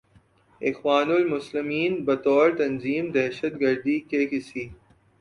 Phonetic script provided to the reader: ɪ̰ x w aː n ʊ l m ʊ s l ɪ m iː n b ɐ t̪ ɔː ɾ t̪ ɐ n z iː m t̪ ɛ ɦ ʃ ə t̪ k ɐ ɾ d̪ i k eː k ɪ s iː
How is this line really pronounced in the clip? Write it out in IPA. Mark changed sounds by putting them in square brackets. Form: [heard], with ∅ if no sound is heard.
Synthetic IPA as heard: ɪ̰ x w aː n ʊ l m ʊ s l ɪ m iː n b ɐ t̪ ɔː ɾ t̪ ɐ n z iː m [d̪] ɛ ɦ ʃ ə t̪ [ɡ] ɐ ɾ d̪ i k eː k ɪ s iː

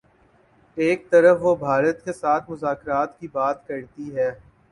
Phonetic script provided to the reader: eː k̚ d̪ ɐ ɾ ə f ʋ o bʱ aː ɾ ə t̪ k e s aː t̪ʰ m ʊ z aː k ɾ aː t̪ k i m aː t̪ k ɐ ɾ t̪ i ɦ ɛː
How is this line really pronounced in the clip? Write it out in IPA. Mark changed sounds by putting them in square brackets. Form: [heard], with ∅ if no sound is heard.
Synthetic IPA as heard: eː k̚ [t̪] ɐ ɾ ə f ʋ o bʱ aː ɾ ə t̪ k e s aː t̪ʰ m ʊ z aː k ɾ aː t̪ k i [b] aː t̪ k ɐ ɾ t̪ i ɦ ɛː

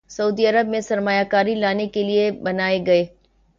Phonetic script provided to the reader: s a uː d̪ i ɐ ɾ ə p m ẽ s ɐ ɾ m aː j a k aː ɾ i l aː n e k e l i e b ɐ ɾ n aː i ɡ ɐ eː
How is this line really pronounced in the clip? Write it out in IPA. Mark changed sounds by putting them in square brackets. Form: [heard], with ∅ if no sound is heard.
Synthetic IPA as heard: s [ɐ] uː d̪ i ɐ ɾ ə [b] m ẽ s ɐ ɾ m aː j a k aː ɾ i l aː n e k e l i e b ɐ [∅] n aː [e] ɡ ɐ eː

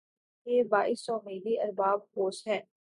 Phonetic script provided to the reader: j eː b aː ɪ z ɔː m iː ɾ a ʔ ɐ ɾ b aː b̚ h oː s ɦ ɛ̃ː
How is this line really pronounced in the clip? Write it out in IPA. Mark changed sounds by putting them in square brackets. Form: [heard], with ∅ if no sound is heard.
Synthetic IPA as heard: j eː b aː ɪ [s] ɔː m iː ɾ [i] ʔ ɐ ɾ b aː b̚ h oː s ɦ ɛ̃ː

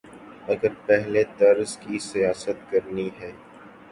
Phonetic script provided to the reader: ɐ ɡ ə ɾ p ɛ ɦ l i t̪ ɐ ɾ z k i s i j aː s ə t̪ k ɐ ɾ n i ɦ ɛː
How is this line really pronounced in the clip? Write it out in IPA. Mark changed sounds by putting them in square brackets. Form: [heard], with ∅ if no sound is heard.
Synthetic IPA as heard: ɐ ɡ ə ɾ p ɛ ɦ l [e] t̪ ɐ ɾ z k i s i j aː s ə t̪ k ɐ ɾ n i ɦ ɛː

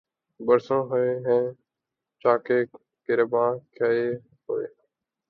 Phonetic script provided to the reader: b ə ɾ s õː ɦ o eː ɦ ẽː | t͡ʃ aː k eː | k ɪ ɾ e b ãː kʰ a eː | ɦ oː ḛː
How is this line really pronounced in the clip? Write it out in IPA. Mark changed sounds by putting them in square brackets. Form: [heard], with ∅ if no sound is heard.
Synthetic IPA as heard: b ə ɾ s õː ɦ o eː ɦ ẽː | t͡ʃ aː k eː | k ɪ ɾ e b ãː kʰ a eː | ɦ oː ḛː

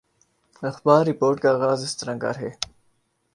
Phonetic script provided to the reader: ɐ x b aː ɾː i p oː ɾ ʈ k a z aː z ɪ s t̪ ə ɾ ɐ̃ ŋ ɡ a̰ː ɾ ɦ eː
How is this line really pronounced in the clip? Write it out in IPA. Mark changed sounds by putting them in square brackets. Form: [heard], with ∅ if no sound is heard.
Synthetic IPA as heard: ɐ x b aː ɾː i p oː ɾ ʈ k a [ɣ] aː z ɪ s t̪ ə ɾ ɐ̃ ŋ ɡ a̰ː ɾ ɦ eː

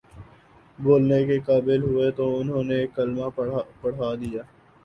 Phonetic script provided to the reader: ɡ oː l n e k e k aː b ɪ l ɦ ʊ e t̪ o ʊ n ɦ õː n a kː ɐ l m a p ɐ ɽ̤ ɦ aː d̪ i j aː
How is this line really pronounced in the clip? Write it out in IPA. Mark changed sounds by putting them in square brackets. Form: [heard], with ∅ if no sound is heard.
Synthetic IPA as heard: [b] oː l n e k e k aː b ɪ l ɦ ʊ e t̪ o ʊ n ɦ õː n [e] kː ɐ l m a p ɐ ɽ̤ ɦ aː d̪ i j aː

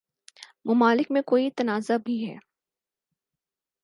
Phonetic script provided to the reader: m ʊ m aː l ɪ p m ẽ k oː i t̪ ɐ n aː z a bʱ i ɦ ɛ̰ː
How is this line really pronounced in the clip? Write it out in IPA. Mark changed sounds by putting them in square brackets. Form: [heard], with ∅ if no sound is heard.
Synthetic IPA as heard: m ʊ m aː l ɪ [k] m ẽ k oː i t̪ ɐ n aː z a bʱ i ɦ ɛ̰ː

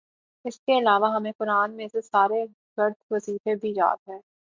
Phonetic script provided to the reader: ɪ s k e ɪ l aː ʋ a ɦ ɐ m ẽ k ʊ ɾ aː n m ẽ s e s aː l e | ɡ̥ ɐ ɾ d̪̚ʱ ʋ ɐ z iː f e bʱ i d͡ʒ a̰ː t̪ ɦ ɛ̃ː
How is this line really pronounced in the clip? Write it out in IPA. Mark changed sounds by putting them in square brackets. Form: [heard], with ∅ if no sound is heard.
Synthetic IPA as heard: ɪ s k e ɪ l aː ʋ a ɦ ɐ m ẽ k ʊ ɾ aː n m ẽ s e s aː [ɾ] e | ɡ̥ ɐ ɾ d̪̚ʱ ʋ ɐ z iː f e bʱ i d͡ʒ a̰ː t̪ ɦ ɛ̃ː

